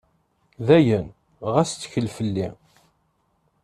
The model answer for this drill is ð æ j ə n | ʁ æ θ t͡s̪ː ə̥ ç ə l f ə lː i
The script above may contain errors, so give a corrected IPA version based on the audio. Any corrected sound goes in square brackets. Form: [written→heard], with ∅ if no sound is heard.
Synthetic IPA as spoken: ð æ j ə n | ʁ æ [θ→s] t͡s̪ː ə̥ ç ə l f ə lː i